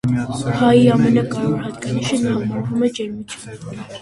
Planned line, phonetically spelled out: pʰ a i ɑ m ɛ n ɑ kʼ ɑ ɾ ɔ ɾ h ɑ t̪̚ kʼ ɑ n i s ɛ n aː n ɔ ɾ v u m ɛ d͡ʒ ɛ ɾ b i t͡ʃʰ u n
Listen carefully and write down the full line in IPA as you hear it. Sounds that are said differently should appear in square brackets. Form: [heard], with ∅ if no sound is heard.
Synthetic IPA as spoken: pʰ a i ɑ m ɛ n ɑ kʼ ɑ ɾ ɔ ɾ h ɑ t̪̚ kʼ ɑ n i [ʃ] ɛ n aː [m] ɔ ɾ v u m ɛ d͡ʒ ɛ ɾ [m] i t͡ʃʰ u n